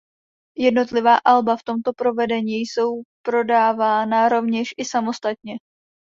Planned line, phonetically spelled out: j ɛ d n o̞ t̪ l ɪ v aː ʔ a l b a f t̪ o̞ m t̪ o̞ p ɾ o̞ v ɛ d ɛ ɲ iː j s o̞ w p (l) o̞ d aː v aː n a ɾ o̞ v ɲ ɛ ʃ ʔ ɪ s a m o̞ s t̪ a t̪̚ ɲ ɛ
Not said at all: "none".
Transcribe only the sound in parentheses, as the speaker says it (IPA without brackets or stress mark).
ɾ